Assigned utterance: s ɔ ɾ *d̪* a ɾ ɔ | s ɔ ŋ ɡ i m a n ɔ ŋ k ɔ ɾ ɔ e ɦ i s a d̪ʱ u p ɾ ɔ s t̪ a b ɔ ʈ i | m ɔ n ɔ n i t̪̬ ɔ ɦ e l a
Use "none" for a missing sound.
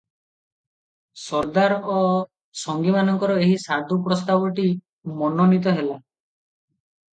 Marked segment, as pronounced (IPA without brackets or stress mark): d̪